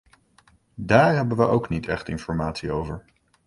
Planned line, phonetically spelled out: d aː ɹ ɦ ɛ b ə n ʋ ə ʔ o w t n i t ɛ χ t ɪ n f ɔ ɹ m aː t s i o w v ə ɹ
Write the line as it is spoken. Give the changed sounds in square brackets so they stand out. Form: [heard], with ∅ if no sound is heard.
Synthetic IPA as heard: d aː ɹ ɦ ɛ b ə n ʋ ə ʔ o w [k] n i t ɛ χ t ɪ n f ɔ ɹ m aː t s i o w v ə ɹ